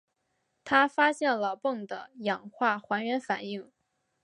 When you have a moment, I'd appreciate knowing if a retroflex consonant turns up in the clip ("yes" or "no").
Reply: no